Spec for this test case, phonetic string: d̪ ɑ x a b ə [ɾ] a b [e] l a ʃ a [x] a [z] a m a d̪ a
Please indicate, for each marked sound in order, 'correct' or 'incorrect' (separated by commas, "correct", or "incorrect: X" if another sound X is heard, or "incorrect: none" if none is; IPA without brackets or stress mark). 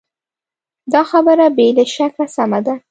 correct, correct, incorrect: k, incorrect: s